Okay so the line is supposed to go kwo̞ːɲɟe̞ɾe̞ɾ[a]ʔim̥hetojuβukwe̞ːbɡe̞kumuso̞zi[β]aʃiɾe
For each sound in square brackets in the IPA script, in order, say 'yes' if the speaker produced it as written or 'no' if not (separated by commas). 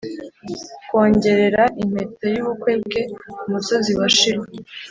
yes, no